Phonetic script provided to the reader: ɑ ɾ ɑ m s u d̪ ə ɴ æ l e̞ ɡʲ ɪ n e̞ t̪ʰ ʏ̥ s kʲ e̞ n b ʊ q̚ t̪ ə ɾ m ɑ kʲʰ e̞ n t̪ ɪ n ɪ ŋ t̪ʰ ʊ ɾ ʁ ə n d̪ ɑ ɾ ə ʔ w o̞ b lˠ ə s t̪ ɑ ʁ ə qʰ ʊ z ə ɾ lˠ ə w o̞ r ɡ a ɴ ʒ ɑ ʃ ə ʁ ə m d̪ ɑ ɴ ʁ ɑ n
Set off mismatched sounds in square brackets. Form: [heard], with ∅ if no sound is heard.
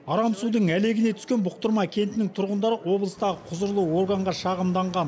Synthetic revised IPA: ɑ ɾ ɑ m s u d̪ ə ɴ æ l e̞ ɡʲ ɪ n e̞ t̪ʰ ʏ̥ s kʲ e̞ n b ʊ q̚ t̪ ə ɾ m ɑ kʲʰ e̞ n t̪ ɪ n ɪ ŋ t̪ʰ ʊ ɾ ʁ ə n d̪ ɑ ɾ ə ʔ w o̞ b lˠ ə s t̪ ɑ ʁ ə qʰ ʊ z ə ɾ lˠ ə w o̞ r ɡ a ɴ [ʁ] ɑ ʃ [ɑ] ʁ ə m d̪ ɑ ɴ ʁ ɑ n